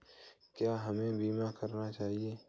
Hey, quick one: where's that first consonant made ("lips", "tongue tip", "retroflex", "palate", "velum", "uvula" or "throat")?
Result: velum